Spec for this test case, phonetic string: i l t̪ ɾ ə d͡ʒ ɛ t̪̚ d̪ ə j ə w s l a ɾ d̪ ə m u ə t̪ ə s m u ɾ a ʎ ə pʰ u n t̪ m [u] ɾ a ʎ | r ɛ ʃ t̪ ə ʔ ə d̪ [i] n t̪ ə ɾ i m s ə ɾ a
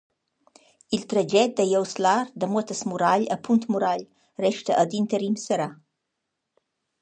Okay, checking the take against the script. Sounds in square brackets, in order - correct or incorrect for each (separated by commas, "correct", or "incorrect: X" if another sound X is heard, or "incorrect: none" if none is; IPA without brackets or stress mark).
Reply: correct, correct